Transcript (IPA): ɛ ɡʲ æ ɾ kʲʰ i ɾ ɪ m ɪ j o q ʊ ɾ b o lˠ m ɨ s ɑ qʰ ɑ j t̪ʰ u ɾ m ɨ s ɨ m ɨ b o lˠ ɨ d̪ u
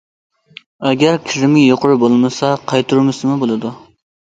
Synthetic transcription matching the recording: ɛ ɡʲ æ ɾ kʲʰ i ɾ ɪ m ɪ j o q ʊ ɾ b o lˠ m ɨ s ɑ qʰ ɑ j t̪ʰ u ɾ m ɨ s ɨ m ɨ b o lˠ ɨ d̪ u